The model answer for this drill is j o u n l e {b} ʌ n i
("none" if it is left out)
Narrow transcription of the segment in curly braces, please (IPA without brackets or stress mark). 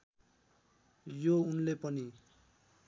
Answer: p